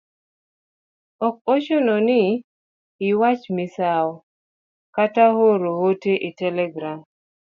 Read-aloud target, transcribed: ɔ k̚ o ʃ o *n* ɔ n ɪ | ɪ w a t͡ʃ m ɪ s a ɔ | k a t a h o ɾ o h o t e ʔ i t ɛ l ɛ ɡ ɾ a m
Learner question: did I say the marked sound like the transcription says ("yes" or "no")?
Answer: yes